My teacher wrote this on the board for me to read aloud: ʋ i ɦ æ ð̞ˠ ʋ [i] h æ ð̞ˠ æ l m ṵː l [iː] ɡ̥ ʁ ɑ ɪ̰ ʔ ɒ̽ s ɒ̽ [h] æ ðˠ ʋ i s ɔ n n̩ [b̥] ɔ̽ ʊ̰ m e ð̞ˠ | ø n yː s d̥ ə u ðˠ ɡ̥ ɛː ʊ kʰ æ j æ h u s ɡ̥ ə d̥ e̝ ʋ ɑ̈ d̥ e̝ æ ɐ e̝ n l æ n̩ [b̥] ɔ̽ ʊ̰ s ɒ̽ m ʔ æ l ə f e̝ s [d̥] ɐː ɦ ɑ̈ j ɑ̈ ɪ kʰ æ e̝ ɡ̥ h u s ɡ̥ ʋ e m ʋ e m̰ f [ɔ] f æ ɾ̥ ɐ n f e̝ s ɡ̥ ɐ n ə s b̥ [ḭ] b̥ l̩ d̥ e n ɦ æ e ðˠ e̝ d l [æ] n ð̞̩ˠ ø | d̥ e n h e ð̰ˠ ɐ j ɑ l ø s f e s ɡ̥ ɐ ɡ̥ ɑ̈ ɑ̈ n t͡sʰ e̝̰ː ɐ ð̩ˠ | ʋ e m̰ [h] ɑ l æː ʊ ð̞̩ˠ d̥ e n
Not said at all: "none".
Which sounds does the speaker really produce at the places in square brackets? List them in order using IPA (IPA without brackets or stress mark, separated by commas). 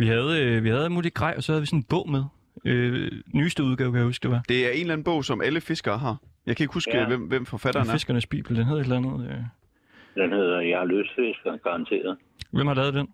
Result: i, i, h, b̥, b̥, ɡ̥, ɒ, ḭː, æ, h